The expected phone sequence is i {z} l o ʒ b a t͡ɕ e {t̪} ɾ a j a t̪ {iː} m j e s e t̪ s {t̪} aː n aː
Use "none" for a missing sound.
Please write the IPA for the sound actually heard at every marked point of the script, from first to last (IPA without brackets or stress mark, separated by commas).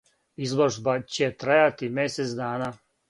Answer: z, t̪, i, d̪